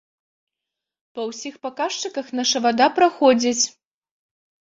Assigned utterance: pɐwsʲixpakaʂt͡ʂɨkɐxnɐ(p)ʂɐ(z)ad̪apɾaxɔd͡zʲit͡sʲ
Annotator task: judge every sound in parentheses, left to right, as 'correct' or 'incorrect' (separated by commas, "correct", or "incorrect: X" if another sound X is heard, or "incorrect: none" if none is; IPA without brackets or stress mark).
incorrect: none, incorrect: v